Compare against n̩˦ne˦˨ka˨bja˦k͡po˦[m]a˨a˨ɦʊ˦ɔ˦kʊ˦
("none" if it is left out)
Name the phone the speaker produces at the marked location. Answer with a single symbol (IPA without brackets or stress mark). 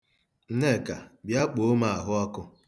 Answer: m